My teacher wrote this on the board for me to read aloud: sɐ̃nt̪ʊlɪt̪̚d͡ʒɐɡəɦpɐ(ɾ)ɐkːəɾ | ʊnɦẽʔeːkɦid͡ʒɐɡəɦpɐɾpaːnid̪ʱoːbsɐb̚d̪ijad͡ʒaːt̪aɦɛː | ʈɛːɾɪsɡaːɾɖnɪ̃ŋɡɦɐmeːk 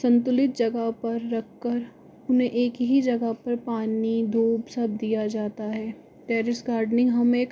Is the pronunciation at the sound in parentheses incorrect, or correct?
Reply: incorrect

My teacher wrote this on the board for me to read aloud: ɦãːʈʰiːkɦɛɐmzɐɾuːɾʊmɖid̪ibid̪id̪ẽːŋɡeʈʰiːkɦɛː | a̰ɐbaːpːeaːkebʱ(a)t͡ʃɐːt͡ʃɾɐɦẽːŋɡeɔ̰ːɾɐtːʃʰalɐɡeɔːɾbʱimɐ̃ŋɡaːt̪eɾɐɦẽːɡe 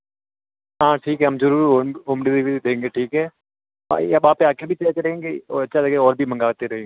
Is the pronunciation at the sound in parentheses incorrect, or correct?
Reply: incorrect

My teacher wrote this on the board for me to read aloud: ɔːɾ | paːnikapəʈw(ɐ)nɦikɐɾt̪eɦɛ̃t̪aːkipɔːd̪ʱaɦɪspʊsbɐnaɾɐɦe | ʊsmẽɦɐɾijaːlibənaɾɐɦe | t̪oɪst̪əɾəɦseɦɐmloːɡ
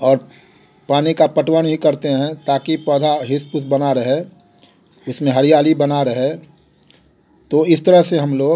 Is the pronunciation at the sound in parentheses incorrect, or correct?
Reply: incorrect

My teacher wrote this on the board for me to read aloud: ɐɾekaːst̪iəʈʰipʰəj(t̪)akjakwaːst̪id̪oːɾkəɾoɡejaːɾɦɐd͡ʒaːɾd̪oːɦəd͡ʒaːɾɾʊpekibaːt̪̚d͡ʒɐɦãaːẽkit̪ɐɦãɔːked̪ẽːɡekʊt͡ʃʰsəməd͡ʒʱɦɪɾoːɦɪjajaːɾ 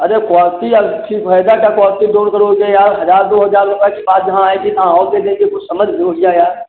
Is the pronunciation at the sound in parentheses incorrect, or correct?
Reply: incorrect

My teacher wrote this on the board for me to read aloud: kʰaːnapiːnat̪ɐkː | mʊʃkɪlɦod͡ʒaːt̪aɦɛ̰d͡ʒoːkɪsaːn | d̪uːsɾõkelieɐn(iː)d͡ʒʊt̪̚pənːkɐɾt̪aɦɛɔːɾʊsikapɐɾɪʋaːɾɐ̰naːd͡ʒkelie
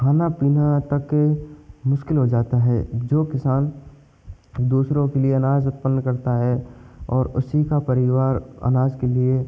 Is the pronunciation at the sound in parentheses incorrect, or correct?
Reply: incorrect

